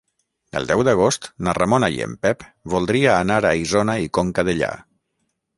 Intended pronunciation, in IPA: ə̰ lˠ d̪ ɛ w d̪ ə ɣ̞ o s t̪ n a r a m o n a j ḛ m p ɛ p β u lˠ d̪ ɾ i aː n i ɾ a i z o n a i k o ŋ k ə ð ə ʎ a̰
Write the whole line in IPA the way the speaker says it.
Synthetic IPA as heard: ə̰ lˠ d̪ ɛ w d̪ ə ɣ̞ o s t̪ n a r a m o n a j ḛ m p ɛ p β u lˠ d̪ ɾ i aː n a ɾ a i z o n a i k o ŋ k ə ð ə ʎ a̰